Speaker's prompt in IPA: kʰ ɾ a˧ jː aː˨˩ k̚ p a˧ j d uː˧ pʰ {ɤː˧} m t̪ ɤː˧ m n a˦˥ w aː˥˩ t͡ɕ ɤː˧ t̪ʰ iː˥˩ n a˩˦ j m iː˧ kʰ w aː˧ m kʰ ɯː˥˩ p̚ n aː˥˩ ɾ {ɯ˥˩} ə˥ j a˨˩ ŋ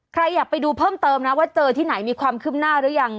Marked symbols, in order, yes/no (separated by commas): no, no